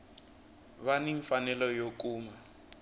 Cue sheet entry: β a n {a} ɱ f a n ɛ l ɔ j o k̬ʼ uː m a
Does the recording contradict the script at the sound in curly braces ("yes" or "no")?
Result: yes